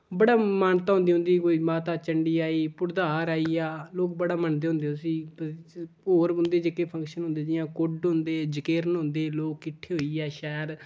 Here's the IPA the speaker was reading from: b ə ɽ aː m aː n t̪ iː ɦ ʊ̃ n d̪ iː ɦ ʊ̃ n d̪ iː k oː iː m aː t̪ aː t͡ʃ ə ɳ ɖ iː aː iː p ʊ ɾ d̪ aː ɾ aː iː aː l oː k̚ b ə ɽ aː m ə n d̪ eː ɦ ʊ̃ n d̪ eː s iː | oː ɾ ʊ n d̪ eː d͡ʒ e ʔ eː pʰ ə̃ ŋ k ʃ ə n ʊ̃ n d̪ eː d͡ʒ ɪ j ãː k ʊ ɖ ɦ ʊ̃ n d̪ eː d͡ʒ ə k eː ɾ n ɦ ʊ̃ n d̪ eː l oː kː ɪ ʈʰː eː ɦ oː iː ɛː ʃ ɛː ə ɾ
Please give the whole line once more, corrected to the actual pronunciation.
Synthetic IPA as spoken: b ə ɽ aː m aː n t̪ aː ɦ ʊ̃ n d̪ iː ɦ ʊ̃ n d̪ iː k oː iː m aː t̪ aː t͡ʃ ə ɳ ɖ iː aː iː p ʊ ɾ d̪ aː ɾ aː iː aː l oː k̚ b ə ɽ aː m ə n d̪ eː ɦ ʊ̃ n d̪ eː s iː | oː ɾ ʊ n d̪ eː d͡ʒ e k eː pʰ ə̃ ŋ k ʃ ə n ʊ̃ n d̪ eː d͡ʒ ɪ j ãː k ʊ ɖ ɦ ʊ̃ n d̪ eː d͡ʒ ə k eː ɾ n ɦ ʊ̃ n d̪ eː l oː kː ɪ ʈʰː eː ɦ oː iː ɛː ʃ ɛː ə ɾ